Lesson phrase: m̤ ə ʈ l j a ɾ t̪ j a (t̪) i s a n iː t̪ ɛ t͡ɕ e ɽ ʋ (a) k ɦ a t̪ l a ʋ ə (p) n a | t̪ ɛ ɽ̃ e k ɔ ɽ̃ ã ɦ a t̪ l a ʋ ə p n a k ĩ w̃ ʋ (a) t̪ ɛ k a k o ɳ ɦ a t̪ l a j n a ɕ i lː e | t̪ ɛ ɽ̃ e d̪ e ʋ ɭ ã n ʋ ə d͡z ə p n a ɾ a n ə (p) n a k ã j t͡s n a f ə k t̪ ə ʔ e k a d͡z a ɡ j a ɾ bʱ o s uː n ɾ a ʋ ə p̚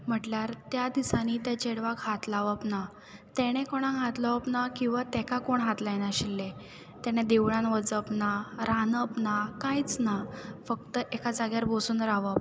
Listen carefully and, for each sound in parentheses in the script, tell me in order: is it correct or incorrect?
incorrect: d̪, correct, correct, correct, correct

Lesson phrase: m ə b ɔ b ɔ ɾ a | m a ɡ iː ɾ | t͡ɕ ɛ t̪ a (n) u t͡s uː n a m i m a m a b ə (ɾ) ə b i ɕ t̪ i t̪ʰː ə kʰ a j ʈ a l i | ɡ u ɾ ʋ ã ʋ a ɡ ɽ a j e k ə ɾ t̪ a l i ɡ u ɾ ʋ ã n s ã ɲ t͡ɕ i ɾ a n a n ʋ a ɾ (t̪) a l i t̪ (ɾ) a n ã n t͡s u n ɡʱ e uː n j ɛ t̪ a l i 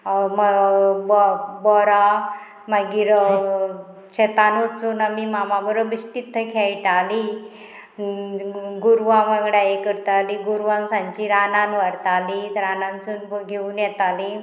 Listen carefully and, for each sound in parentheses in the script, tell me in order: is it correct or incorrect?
correct, correct, correct, correct

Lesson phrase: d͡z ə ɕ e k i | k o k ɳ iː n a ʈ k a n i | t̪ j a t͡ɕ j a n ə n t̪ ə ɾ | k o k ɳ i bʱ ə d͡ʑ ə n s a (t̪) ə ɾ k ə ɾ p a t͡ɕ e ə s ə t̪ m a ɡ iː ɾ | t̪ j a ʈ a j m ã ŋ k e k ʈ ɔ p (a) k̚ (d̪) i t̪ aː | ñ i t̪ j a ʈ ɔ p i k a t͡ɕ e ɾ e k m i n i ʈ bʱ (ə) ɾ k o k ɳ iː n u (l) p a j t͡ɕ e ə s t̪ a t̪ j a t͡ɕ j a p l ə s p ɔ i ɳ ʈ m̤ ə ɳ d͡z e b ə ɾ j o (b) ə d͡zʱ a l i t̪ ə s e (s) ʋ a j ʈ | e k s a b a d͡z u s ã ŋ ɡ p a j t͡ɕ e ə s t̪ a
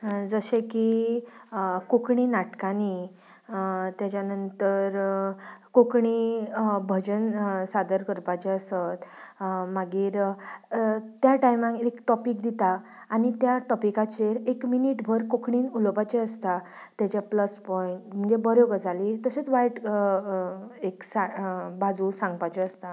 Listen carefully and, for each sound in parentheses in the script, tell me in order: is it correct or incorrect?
incorrect: d̪, incorrect: i, correct, correct, correct, incorrect: ɡ, incorrect: t͡s

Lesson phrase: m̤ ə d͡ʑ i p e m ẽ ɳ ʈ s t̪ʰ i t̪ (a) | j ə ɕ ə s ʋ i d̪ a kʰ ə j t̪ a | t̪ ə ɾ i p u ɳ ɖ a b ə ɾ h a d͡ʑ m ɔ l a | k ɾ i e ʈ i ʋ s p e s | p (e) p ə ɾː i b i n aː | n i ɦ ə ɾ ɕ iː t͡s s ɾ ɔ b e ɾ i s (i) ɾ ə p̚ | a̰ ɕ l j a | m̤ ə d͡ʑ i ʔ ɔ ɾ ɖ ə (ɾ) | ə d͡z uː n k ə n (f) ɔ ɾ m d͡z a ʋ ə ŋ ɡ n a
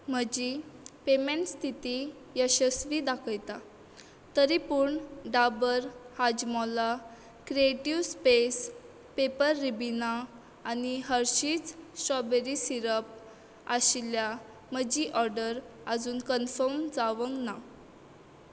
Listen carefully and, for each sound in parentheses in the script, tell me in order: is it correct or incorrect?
incorrect: i, correct, correct, correct, correct

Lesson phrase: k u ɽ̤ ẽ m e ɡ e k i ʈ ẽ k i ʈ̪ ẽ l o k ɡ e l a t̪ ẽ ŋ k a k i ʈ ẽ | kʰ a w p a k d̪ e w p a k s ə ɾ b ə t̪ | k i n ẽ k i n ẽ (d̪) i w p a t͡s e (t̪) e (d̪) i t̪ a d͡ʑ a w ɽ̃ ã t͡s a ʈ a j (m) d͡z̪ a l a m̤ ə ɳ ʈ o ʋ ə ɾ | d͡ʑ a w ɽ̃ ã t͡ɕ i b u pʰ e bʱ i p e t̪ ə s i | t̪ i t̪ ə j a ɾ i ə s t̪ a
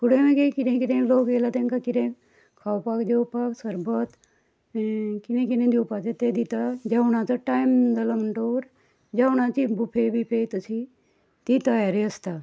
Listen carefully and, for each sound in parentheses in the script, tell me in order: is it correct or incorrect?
correct, correct, correct, correct

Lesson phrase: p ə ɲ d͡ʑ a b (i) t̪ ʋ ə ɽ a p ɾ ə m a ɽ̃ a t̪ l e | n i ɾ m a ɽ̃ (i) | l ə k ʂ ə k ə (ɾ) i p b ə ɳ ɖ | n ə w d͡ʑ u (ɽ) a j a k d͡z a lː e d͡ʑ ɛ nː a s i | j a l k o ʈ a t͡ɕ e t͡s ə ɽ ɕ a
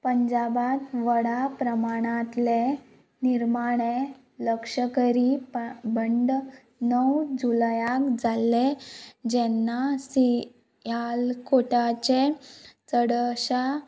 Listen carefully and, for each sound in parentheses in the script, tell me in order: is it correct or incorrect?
incorrect: a, incorrect: e, correct, incorrect: l

